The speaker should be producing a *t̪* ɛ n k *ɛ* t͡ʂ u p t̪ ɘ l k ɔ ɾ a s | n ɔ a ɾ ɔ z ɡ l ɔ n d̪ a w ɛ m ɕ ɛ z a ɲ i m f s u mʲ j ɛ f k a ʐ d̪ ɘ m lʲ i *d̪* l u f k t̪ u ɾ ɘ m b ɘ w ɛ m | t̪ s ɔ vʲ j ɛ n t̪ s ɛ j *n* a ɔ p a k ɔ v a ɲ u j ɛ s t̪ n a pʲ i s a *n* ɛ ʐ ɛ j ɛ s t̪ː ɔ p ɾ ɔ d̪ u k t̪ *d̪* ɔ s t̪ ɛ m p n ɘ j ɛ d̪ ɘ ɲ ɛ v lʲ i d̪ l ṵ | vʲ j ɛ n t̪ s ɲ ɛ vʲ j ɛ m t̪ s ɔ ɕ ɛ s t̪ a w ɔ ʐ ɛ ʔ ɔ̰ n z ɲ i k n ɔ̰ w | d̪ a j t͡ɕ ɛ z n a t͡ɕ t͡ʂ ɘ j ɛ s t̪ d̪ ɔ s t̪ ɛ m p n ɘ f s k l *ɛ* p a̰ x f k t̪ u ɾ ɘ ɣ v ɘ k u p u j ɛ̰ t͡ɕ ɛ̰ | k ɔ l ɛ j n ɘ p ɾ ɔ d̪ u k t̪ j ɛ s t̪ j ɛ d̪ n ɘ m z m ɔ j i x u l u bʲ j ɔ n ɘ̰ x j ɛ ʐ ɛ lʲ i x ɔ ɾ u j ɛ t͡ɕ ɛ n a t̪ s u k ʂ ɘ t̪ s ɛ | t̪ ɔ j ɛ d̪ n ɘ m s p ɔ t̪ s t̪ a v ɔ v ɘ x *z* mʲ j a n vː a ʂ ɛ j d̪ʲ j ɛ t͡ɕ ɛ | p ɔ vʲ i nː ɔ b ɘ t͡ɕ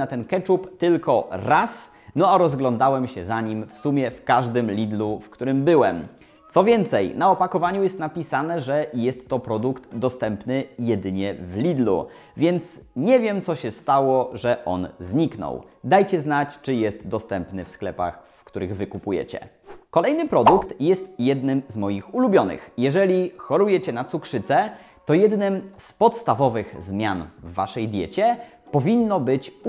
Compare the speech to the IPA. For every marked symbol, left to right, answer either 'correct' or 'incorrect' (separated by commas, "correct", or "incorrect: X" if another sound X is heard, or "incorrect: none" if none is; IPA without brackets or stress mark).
correct, correct, correct, correct, correct, correct, correct, correct